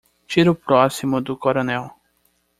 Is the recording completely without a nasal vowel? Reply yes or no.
yes